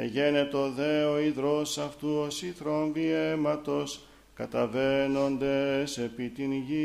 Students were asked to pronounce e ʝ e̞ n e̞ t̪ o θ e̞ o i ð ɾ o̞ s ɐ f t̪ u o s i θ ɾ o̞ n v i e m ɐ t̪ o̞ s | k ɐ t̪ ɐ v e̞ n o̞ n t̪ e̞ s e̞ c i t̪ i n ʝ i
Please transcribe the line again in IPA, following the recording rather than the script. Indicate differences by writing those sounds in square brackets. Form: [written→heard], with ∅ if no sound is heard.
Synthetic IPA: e ʝ e̞ n e̞ t̪ o [θ→ð] e̞ o i ð ɾ o̞ s ɐ f t̪ u o s i θ ɾ o̞ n v i e m ɐ t̪ o̞ s | k ɐ t̪ ɐ v e̞ n o̞ n [t̪→d̪] e̞ s e̞ [c→p] i t̪ i n ʝ i